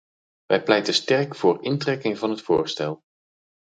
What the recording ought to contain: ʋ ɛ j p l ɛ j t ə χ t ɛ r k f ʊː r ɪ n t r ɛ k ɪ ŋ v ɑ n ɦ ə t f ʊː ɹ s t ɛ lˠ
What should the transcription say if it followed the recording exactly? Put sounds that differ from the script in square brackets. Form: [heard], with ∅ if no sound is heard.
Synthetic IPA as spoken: ʋ ɛ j p l ɛ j t ə [s] t ɛ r k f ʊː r ɪ n t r ɛ k ɪ ŋ v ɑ n ɦ ə t f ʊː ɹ s t ɛ lˠ